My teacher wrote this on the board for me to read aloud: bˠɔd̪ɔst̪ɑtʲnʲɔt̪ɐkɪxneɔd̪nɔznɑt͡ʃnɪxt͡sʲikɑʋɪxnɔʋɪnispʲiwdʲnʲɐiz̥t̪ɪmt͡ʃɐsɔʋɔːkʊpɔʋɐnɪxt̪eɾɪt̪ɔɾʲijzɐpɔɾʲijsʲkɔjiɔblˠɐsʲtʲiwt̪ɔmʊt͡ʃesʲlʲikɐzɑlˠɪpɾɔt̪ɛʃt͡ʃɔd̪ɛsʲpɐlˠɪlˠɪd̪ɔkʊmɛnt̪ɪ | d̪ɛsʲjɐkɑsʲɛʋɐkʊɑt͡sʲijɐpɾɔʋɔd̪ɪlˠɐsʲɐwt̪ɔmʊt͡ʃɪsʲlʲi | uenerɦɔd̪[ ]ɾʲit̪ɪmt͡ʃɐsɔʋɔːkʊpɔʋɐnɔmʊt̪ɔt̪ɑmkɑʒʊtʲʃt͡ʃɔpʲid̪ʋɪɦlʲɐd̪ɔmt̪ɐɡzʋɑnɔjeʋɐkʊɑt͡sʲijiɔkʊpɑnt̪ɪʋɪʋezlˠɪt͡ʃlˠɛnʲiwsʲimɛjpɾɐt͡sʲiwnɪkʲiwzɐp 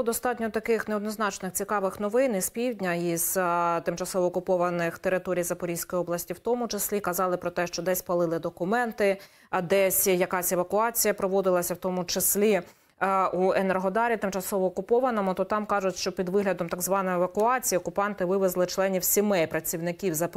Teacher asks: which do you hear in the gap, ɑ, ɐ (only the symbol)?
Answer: ɑ